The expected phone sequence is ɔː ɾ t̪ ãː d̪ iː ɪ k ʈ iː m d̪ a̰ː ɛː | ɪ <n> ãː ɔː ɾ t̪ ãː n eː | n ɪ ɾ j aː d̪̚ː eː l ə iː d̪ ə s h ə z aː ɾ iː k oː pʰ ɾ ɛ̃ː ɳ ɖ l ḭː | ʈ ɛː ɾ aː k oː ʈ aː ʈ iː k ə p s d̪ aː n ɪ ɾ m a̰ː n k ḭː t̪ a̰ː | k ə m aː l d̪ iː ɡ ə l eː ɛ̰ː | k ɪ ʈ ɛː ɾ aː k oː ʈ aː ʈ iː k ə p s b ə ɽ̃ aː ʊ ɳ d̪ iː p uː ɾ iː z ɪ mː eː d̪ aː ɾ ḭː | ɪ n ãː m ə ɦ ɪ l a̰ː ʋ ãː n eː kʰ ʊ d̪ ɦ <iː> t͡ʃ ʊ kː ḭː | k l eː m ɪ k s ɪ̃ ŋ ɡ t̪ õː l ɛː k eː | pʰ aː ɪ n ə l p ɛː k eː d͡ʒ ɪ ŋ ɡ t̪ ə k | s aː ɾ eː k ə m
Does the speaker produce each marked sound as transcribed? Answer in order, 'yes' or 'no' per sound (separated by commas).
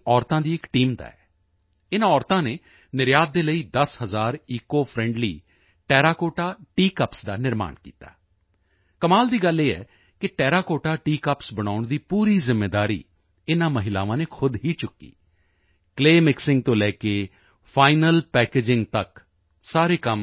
yes, yes